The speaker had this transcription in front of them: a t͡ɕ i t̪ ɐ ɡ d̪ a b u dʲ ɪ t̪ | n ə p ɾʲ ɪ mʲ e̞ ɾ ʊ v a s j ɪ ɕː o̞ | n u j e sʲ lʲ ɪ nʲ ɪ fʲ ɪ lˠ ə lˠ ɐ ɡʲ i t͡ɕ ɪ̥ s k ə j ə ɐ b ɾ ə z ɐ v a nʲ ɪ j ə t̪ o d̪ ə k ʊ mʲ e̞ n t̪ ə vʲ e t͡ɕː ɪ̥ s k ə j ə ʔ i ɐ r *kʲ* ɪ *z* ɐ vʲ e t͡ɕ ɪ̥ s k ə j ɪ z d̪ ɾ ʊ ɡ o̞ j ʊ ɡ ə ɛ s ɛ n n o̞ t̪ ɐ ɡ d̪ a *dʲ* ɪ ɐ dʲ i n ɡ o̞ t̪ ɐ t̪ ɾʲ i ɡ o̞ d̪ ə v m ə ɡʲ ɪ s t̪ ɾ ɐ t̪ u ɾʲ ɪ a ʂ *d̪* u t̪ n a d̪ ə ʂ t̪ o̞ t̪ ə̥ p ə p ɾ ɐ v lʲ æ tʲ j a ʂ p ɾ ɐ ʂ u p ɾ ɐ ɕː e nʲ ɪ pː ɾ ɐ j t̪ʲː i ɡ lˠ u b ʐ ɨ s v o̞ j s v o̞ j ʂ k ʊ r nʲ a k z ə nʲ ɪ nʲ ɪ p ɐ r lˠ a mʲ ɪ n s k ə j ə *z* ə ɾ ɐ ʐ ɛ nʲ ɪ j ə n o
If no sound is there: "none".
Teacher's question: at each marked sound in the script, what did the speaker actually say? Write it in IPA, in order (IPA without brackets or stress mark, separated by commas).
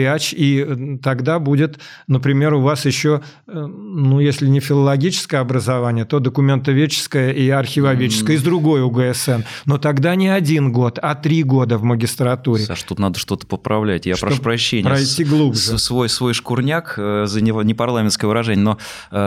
xʲ, v, nʲ, t̪, v